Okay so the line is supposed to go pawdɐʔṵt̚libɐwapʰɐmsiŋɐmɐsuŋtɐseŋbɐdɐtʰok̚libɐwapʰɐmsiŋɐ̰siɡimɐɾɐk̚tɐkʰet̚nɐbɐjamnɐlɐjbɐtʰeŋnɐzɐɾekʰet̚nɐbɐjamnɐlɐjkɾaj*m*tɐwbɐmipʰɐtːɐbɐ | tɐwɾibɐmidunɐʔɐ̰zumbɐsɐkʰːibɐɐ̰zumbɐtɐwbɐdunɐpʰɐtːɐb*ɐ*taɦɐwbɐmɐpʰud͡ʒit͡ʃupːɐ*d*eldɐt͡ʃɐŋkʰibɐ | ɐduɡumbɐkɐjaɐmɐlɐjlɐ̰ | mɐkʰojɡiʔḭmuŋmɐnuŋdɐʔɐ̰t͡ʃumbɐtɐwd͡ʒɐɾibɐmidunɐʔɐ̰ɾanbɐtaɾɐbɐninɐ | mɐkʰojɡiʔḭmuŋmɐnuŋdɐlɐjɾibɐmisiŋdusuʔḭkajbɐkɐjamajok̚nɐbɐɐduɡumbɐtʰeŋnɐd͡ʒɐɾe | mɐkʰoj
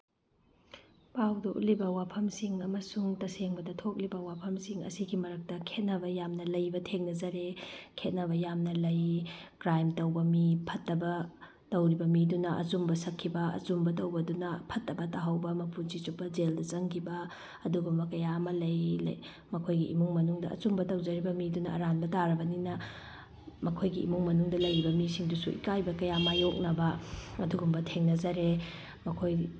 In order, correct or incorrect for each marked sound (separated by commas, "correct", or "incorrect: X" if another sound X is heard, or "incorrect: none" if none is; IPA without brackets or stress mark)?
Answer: correct, correct, incorrect: d͡ʒ